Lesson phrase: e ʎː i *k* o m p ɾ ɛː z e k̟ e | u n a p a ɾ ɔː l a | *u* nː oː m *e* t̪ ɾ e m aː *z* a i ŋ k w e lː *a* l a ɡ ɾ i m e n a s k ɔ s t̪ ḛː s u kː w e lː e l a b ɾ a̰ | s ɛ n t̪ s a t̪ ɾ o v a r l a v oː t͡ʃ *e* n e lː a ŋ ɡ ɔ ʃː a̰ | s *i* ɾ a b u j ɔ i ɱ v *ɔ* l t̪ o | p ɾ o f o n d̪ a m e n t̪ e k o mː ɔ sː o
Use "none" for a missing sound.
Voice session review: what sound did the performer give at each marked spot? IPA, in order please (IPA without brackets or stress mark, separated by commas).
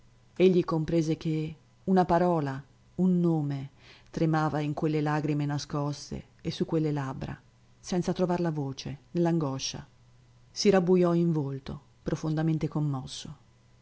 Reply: k, u, e, v, e, e, i, o